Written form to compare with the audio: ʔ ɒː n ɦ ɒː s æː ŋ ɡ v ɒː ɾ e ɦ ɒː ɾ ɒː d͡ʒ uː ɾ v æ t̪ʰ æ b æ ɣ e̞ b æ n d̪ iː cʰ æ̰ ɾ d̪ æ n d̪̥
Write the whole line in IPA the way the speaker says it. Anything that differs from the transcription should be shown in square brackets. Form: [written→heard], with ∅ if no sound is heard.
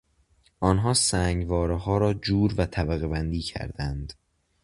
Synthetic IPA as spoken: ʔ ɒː n ɦ ɒː s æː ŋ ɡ v ɒː ɾ e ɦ ɒː ɾ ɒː d͡ʒ uː ɾ v æ t̪ʰ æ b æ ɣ e̞ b æ n d̪ iː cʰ æ̰ ɾ d̪ æ n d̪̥